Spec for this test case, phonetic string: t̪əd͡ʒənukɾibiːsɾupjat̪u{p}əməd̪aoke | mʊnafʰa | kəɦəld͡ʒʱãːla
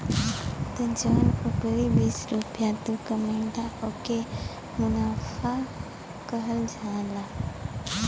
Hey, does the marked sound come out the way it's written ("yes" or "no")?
no